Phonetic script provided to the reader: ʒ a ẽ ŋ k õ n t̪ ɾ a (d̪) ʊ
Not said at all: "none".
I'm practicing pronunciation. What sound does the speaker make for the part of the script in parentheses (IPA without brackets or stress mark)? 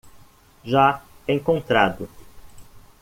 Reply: d̪